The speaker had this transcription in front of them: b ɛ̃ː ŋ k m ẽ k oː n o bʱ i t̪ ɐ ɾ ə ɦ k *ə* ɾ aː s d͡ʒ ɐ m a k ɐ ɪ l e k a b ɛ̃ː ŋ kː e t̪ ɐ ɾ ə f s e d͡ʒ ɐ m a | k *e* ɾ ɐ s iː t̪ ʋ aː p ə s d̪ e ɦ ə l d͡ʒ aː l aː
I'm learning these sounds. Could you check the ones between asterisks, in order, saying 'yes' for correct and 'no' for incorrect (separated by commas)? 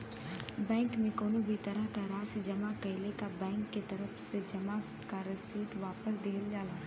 no, no